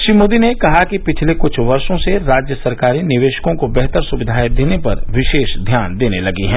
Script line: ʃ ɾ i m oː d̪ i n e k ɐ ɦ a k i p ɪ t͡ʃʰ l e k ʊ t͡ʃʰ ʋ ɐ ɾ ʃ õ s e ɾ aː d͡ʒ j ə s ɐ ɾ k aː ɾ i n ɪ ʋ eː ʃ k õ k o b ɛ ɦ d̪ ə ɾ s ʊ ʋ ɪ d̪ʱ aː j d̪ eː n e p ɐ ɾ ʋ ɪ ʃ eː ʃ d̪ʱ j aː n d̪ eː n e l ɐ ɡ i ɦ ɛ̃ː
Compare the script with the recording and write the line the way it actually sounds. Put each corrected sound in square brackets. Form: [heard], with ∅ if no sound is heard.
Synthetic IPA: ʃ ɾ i m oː d̪ i n e k ɐ ɦ a k i p ɪ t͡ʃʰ l e k ʊ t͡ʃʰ ʋ ɐ ɾ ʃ õ s e ɾ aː d͡ʒ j ə s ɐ ɾ k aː ɾ i n ɪ ʋ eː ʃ k õ k o b ɛ ɦ [t̪] ə ɾ s ʊ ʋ ɪ d̪ʱ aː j d̪ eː n e p ɐ ɾ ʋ ɪ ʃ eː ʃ d̪ʱ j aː n d̪ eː n e l ɐ ɡ i ɦ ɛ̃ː